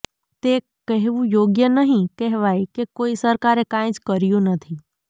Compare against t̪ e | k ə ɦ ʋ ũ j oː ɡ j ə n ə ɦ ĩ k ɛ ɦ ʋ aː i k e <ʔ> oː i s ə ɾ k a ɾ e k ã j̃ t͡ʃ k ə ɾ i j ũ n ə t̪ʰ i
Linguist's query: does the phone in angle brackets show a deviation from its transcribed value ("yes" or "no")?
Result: yes